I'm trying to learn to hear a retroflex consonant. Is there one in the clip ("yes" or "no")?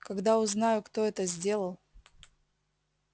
no